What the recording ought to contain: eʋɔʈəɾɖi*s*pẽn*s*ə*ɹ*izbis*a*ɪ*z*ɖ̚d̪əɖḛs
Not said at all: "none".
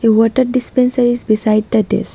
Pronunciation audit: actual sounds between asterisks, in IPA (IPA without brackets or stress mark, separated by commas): s, s, ɾ, a, none